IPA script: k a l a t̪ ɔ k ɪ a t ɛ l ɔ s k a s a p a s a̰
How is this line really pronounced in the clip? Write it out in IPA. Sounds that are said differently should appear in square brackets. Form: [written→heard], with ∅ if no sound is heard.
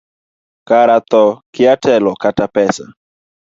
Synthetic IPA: k a [l→ɾ] a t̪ ɔ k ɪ a t ɛ l ɔ [s→∅] k a [s→t] a p [a→ɛ] s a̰

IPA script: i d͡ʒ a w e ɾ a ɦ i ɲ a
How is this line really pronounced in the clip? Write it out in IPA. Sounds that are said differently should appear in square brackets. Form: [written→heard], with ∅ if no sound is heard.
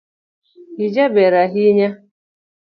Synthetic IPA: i d͡ʒ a [w→b] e ɾ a ɦ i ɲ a

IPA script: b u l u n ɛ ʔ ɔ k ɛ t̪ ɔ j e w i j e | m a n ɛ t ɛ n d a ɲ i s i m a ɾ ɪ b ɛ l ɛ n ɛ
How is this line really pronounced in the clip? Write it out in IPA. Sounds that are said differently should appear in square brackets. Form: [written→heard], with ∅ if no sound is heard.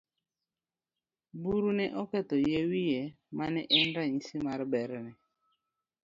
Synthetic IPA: b u [l→ɾ] u n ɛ ʔ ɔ k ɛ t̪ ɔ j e w i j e | m a n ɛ [t→ʔ] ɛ n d a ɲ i s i m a ɾ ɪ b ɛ [l→ɾ] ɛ n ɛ

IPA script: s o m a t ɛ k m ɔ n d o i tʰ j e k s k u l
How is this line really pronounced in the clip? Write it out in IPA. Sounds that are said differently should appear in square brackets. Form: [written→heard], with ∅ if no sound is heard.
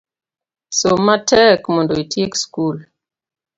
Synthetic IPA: s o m a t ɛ k m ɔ n d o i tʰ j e k s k u l

